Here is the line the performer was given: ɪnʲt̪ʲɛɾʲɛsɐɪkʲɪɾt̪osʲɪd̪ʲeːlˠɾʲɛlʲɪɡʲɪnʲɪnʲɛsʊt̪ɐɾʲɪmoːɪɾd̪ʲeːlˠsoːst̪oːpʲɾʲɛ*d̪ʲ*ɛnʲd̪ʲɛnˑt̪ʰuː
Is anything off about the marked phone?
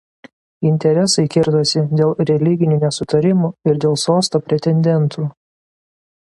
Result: yes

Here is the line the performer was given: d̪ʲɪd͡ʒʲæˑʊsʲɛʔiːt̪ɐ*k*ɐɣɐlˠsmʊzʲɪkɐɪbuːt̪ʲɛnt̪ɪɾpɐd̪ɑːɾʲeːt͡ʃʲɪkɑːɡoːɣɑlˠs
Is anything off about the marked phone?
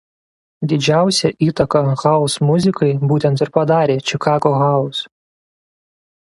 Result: no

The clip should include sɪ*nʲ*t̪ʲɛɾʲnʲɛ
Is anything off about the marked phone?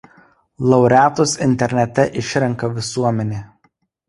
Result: no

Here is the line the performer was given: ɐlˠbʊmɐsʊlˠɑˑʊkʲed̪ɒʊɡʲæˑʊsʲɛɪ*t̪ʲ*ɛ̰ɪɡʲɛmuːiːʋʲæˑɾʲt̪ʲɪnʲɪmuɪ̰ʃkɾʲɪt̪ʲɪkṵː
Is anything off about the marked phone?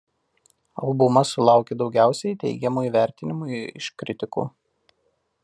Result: no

